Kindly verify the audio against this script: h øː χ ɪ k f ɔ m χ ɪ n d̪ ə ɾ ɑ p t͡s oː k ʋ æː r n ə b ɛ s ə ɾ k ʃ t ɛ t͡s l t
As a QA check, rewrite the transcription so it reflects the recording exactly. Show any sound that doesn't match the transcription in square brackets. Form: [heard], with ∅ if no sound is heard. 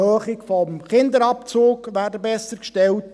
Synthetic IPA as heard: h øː χ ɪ k f ɔ m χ ɪ n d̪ ə ɾ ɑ p t͡s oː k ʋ æː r [d] ə b ɛ s ə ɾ k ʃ t ɛ [∅] l t